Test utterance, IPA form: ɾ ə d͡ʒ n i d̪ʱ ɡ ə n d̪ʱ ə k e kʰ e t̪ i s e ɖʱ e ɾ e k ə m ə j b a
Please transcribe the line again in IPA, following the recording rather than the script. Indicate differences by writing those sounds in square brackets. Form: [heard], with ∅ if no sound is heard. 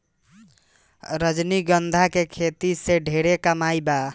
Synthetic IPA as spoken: ɾ ə d͡ʒ n i [∅] ɡ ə n d̪ʱ [a] k e kʰ e t̪ i s e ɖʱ e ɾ e k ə m [a] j b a